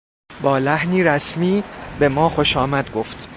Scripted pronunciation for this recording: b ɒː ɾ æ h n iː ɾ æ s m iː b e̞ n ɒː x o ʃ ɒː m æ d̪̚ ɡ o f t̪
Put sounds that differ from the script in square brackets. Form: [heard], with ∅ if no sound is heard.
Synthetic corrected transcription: b ɒː [l] æ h n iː ɾ æ s m iː b e̞ [m] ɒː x o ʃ ɒː m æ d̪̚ ɡ o f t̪